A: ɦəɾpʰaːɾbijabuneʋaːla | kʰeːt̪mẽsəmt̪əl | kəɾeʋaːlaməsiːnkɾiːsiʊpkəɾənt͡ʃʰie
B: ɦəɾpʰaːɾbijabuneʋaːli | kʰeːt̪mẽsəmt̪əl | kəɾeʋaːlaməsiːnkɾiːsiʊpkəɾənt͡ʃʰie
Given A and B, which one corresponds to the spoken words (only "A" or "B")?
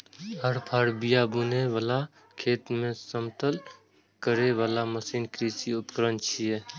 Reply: A